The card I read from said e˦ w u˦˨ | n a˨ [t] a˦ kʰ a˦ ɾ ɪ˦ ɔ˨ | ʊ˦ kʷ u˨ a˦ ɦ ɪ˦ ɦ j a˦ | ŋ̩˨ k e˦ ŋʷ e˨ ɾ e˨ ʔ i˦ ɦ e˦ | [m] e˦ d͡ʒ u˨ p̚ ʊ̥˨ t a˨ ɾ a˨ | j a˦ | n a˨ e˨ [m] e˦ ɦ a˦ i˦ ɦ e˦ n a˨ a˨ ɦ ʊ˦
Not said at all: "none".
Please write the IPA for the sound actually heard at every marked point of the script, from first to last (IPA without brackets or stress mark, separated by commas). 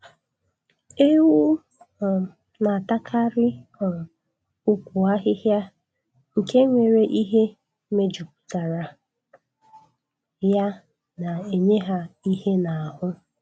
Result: t, m, ɲ